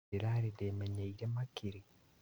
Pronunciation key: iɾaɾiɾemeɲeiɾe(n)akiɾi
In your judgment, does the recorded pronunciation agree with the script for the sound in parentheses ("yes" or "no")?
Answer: no